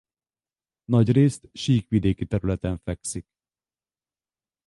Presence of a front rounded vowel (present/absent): present